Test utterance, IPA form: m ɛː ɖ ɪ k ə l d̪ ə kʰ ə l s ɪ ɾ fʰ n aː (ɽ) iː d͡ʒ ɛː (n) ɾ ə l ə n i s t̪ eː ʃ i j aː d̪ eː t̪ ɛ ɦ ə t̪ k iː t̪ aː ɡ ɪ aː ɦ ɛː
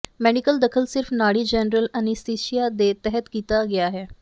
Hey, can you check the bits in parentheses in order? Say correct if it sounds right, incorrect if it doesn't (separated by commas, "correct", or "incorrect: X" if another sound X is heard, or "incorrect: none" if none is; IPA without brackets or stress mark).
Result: correct, correct